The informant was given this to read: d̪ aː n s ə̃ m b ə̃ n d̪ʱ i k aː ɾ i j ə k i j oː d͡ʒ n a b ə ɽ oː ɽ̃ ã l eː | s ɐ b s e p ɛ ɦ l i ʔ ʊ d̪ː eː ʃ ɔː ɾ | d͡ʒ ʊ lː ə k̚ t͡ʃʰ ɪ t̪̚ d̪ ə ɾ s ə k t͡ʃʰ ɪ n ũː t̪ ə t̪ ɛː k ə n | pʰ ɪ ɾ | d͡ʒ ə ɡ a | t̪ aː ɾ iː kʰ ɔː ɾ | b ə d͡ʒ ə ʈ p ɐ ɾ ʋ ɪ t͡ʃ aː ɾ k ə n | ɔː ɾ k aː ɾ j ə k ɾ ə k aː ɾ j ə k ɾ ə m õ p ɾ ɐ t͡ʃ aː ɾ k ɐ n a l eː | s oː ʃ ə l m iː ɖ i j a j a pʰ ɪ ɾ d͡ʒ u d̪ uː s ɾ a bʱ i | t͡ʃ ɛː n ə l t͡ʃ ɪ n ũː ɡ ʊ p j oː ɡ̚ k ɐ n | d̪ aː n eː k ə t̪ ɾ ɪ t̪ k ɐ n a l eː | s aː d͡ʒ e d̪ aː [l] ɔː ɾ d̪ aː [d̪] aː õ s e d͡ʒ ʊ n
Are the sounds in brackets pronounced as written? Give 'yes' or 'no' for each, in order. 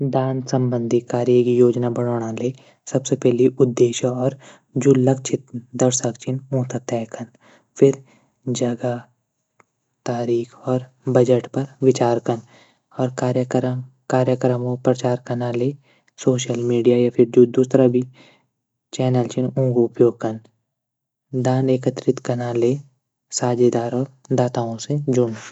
no, no

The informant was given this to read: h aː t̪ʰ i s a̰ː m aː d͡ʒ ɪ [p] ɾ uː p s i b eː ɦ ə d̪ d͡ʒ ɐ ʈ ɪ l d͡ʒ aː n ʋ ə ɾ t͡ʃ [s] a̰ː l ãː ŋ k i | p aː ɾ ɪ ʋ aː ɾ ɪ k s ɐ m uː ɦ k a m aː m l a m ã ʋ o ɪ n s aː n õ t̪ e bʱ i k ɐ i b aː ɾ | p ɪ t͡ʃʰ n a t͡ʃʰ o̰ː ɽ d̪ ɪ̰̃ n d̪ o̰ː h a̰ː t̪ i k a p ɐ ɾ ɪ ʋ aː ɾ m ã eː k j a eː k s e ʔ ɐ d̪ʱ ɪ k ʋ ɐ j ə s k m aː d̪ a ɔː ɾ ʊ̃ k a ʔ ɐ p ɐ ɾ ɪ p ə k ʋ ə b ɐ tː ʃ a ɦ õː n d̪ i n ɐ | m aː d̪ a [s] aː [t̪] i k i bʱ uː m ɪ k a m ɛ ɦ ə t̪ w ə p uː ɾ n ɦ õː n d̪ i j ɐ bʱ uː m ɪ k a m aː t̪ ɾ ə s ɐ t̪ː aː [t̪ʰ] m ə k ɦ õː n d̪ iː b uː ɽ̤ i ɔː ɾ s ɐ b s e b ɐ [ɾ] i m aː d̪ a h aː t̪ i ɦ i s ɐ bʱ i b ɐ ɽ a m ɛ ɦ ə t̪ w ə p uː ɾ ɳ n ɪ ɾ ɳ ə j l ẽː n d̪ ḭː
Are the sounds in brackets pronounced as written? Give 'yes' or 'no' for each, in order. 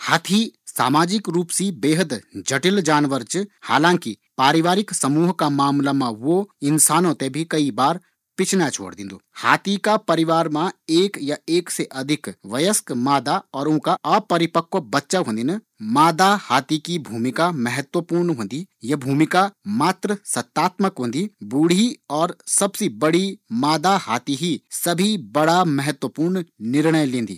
no, no, no, yes, no, no

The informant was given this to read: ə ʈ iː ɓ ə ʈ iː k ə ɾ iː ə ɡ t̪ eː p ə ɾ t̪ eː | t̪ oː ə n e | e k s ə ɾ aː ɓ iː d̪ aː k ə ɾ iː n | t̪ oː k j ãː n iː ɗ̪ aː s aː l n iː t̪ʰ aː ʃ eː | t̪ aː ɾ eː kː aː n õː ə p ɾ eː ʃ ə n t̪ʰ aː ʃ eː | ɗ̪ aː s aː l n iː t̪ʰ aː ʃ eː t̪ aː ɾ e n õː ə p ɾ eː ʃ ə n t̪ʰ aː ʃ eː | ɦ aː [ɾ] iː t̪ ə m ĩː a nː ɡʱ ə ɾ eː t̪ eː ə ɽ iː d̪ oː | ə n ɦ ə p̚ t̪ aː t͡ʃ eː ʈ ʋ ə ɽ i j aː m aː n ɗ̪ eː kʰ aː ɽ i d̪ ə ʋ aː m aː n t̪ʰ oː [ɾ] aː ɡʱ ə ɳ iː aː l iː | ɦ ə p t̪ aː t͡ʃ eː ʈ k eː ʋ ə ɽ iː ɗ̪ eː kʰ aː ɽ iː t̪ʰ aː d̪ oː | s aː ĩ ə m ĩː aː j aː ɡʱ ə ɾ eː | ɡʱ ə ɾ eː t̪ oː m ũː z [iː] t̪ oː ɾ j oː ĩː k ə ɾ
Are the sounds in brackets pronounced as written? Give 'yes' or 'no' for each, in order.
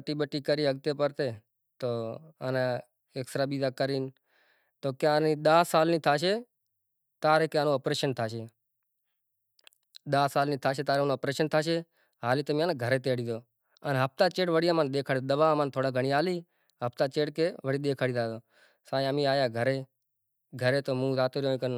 no, no, no

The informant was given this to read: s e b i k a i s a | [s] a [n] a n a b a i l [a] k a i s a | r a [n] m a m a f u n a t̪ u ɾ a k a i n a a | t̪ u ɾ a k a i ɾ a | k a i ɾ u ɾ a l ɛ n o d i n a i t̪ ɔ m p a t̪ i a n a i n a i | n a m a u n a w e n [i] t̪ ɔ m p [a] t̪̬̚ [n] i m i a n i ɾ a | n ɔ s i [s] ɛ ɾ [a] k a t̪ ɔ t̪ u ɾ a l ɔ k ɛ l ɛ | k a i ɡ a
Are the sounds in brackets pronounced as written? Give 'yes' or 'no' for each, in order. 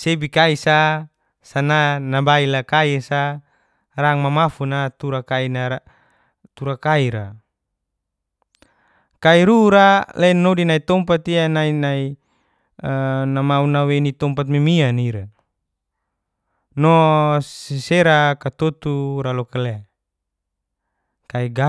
yes, yes, yes, no, yes, yes, no, yes, yes

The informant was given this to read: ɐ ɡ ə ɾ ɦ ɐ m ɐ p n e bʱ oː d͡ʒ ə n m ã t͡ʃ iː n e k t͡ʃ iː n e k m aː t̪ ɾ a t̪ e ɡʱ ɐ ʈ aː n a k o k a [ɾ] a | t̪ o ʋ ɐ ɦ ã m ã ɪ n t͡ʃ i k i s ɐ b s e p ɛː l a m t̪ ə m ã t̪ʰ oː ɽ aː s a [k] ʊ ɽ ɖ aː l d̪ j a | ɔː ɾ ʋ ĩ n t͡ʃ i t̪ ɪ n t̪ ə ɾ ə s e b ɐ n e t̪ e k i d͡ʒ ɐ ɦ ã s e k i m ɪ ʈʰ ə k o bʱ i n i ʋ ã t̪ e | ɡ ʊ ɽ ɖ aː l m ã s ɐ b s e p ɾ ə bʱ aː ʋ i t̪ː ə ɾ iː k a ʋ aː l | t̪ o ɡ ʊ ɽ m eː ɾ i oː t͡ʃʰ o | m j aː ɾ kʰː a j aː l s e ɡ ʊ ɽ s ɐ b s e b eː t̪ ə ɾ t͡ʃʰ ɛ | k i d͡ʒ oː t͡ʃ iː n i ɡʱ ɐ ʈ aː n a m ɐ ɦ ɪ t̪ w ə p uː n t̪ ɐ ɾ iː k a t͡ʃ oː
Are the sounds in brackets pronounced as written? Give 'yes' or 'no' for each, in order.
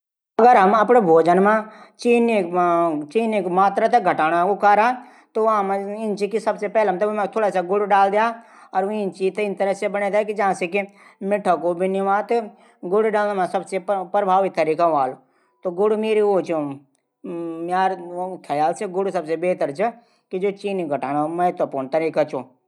yes, no

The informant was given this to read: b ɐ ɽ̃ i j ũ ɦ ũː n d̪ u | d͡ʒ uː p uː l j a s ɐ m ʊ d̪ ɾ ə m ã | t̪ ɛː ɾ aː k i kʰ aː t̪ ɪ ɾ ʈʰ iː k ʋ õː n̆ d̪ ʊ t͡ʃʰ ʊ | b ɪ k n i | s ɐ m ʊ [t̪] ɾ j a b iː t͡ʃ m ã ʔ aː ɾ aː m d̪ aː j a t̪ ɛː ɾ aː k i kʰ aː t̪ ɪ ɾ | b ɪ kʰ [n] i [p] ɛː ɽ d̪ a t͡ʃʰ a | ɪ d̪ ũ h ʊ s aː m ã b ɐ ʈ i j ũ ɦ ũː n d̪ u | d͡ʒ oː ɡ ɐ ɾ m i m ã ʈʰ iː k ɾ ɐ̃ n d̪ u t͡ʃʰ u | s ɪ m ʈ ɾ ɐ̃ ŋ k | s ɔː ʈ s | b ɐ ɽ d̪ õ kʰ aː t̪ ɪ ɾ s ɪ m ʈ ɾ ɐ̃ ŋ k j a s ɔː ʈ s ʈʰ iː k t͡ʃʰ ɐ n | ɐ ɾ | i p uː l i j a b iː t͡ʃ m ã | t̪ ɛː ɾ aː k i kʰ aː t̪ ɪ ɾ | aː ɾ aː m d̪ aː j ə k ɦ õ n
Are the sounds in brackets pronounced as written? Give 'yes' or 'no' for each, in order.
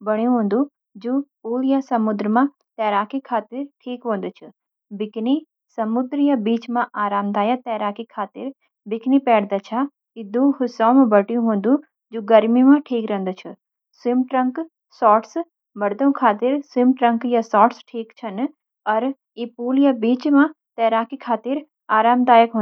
no, yes, yes

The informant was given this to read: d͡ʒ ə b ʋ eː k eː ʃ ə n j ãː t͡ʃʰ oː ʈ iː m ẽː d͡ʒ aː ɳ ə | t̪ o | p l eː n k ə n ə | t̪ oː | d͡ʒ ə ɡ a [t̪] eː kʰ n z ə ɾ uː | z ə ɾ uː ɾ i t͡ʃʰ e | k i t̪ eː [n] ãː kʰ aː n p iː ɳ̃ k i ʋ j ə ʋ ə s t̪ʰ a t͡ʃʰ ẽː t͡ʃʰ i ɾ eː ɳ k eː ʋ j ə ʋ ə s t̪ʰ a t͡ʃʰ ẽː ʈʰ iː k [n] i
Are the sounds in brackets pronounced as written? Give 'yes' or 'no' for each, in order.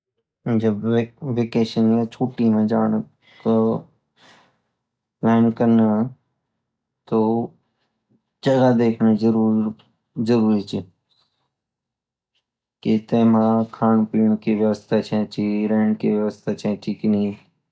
no, no, yes

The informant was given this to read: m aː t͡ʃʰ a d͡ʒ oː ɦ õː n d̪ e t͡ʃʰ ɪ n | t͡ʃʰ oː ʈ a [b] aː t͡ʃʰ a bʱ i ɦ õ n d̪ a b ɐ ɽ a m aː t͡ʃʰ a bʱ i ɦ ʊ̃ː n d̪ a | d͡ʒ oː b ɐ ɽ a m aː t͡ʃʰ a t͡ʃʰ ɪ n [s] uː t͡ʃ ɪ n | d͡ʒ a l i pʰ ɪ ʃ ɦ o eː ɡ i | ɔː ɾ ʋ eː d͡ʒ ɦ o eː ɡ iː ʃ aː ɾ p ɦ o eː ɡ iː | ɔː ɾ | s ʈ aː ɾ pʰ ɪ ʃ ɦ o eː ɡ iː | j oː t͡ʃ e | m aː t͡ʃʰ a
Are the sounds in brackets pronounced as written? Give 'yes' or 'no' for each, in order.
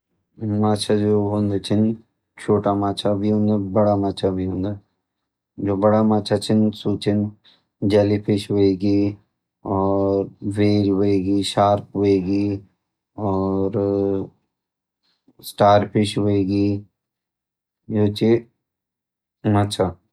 no, yes

